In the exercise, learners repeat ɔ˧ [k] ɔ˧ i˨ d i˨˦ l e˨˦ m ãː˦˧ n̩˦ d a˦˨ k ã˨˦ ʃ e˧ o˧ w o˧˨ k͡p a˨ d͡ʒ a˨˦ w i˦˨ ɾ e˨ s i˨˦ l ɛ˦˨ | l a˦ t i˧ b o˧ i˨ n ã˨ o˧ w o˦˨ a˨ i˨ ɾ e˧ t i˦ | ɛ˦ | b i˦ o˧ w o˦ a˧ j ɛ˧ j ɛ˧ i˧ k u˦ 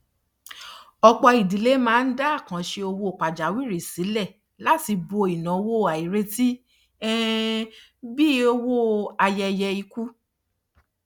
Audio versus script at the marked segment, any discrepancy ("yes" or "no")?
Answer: yes